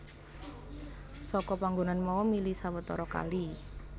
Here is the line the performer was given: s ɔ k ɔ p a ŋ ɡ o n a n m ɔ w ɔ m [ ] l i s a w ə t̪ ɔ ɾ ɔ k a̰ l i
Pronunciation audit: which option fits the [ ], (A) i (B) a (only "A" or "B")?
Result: A